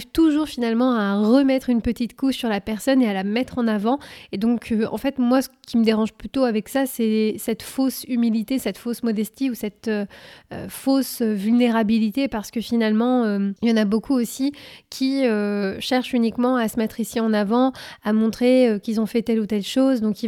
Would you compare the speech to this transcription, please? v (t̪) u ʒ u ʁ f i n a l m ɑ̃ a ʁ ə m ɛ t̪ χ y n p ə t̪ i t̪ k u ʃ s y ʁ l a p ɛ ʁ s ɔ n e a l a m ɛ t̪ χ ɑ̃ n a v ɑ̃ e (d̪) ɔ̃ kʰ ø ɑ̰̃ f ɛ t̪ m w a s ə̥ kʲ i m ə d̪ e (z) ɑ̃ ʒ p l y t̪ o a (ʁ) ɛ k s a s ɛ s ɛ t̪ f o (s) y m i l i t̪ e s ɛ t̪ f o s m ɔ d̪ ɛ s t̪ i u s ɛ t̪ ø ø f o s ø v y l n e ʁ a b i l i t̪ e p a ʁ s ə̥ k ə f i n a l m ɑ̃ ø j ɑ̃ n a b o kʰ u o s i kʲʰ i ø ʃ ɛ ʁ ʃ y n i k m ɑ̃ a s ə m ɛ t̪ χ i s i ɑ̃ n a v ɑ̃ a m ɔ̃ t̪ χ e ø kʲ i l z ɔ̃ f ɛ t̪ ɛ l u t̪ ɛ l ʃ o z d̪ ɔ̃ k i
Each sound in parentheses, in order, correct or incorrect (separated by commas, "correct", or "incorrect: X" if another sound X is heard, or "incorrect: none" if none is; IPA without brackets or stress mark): correct, correct, incorrect: ʁ, incorrect: v, correct